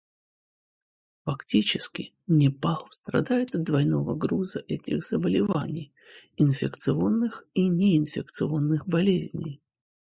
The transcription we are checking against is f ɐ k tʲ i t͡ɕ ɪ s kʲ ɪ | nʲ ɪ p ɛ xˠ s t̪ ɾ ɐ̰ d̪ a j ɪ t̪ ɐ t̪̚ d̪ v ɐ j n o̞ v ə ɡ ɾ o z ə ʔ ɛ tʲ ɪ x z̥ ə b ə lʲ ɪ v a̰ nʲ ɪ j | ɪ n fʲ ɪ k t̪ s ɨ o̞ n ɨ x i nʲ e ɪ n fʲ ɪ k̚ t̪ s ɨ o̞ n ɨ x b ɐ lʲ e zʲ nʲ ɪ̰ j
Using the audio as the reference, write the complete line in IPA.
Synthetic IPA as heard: f ɐ k tʲ i t͡ɕ ɪ s kʲ ɪ | nʲ ɪ p a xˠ s t̪ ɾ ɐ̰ d̪ a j ɪ t̪ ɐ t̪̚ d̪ v ɐ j n o̞ v ə ɡ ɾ u z ə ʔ ɛ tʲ ɪ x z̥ ə b ə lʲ ɪ v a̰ nʲ ɪ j | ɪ n fʲ ɪ k t̪ s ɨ o̞ nː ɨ x i nʲ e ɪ n fʲ ɪ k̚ t̪ s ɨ o̞ nː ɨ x b ɐ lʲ e zʲ nʲ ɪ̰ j

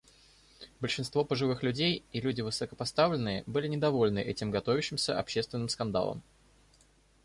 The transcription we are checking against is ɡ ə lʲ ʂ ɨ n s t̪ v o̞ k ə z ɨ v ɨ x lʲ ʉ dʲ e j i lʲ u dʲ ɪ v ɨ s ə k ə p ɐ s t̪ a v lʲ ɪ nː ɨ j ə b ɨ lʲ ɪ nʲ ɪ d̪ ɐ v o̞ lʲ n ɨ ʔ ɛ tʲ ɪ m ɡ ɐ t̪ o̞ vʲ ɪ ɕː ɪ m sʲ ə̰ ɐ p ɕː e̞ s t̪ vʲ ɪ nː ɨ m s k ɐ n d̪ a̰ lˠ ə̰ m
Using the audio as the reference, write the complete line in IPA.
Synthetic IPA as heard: b ə lʲ ʂ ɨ n s t̪ v o̞ p ə ʐ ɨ v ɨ x lʲ ʉ dʲ e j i lʲ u dʲ ɪ v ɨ s ə k ə p ɐ s t̪ a v lʲ ɪ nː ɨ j ə b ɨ lʲ ɪ nʲ ɪ d̪ ɐ v o̞ lʲ n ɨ ʔ ɛ tʲ ɪ m ɡ ɐ t̪ o̞ vʲ ɪ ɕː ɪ m sʲ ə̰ ɐ p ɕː e̞ s t̪ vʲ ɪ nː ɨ m s k ɐ n d̪ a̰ lˠ ə̰ m

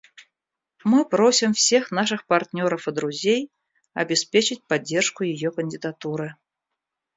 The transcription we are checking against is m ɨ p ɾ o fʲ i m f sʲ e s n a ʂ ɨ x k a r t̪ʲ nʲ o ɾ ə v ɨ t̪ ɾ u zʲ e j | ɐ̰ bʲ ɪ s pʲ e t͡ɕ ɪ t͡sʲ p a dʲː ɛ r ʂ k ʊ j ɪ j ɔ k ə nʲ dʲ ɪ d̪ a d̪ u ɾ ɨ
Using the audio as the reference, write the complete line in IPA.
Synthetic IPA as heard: m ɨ p ɾ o sʲ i m f sʲ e x n a ʂ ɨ x p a r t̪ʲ nʲ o ɾ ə f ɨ d̪ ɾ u zʲ e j | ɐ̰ bʲ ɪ s pʲ e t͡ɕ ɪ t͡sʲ p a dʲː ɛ r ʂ k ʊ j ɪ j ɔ k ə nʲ dʲ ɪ d̪ a t̪ u ɾ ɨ

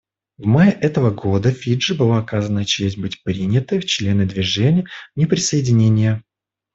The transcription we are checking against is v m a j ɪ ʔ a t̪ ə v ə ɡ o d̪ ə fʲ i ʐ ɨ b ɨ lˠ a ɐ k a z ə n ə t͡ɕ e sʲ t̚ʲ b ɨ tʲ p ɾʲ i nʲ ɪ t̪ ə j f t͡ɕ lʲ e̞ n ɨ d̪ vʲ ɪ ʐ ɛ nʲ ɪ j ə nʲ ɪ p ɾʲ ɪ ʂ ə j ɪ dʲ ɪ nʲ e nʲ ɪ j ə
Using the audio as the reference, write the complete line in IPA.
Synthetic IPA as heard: v m a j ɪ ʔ ɛ t̪ ə v ə ɡ o d̪ ə fʲ i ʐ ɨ b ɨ lˠ a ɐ k a z ə n ə t͡ɕ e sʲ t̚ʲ b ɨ tʲ p ɾʲ i nʲ ɪ t̪ ə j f t͡ɕ lʲ e̞ n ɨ d̪ vʲ ɪ ʐ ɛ nʲ ɪ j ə nʲ ɪ p ɾʲ ɪ s ə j ɪ dʲ ɪ nʲ e nʲ ɪ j ə

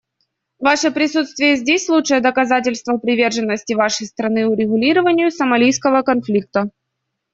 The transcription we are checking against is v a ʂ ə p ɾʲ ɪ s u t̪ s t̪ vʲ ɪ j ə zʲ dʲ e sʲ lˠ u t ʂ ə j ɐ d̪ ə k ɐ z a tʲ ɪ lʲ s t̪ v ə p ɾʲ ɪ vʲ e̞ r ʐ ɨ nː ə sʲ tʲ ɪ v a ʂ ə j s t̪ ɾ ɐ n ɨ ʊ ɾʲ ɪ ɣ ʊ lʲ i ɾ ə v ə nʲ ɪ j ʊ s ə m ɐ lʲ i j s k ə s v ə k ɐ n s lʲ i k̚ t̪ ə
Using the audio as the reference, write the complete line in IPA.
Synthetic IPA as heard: v a ʂ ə p ɾʲ ɪ s u t̪ s t̪ vʲ ɪ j ə zʲ dʲ e sʲ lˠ u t ʂ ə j ə d̪ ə k ɐ z a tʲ ɪ lʲ s t̪ v ə p ɾʲ ɪ vʲ e̞ r ʐ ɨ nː ə sʲ tʲ ɪ v a ʂ ə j s t̪ ɾ ɐ n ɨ ʊ ɾʲ ɪ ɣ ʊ lʲ i ɾ ə v ə nʲ ɪ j ʊ s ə m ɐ lʲ i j s k ə v ə k ɐ n f lʲ i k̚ t̪ ə

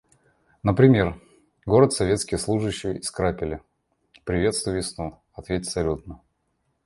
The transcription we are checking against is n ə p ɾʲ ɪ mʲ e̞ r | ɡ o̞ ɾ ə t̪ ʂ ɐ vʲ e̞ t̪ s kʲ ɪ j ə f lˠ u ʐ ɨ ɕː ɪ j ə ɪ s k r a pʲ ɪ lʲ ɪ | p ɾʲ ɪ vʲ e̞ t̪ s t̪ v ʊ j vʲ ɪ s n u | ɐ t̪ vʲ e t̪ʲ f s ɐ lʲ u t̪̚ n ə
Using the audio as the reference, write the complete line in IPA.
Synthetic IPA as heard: n ə p ɾʲ ɪ mʲ e̞ r | ɡ o̞ ɾ ə t̪ s ɐ vʲ e̞ t̪ s kʲ ɪ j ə s lˠ u ʐ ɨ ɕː ɪ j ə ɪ s k ɾ a pʲ ɪ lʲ ɪ | p ɾʲ ɪ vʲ e̞ t̪ s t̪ v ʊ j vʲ ɪ s n u | ɐ t̪ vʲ e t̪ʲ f s ɐ lʲ u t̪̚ n ə

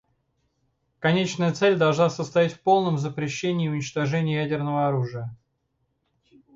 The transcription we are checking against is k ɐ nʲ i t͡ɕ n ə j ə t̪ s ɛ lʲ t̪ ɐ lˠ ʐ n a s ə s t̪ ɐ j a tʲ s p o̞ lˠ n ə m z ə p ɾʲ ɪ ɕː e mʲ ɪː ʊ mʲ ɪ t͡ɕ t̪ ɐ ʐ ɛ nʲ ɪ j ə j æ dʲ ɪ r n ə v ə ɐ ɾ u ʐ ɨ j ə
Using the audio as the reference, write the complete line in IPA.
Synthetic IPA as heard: k ɐ nʲ e t͡ɕ n ə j ə t̪ s ɛ lʲ d̪ ɐ lˠ ʐ n a s ə s t̪ ɐ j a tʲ f p o̞ lˠ n ə m z ə p ɾʲ ɪ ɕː e nʲ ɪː ʊ nʲ ɪ t͡ɕ t̪ ɐ ʐ ɛ nʲ ɪ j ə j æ dʲ ɪ r n ə v ə ɐ ɾ u ʐ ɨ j ə

